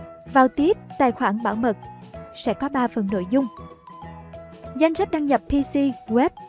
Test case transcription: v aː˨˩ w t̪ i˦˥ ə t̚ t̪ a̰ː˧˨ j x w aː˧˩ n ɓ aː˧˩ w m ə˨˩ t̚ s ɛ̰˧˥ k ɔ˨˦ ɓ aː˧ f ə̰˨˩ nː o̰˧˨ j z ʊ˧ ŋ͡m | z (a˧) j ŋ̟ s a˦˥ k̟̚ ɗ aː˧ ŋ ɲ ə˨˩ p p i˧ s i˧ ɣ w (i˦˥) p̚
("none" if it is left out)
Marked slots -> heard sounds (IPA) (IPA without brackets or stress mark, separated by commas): a˧, ɛ˦˥